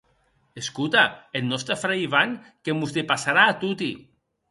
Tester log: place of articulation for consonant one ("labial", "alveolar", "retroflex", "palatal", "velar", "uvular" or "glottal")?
alveolar